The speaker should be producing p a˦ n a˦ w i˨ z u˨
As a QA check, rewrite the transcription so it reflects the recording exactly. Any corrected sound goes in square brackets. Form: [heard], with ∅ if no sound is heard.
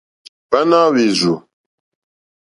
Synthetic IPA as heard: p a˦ n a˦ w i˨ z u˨